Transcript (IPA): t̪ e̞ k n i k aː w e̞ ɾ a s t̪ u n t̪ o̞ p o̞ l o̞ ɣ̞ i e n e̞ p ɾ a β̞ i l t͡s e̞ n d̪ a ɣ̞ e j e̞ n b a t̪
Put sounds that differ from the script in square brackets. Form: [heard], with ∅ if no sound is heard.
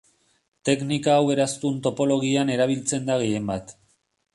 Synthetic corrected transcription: t̪ e̞ k n i k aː w e̞ ɾ a s t̪ u n t̪ o̞ p o̞ l o̞ ɣ̞ i [a] n e̞ [∅] ɾ a β̞ i l t͡s e̞ n d̪ a ɣ̞ e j e̞ [m] b a t̪